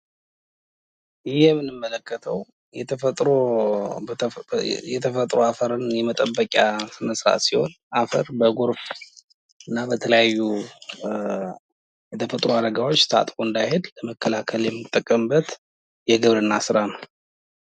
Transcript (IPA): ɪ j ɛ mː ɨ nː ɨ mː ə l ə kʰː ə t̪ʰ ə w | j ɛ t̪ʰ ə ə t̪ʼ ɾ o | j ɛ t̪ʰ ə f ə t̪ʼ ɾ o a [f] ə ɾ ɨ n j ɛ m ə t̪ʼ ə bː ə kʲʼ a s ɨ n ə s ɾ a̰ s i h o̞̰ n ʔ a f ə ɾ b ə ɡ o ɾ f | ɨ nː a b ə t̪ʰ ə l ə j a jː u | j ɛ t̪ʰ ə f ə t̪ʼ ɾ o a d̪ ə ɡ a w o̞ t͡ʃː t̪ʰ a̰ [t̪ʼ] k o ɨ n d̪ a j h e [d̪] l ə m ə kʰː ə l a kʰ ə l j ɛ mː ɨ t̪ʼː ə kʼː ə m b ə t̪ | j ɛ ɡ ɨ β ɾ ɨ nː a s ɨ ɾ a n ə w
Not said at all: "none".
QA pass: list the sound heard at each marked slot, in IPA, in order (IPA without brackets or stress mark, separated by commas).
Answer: f, t̪ʼ, d̪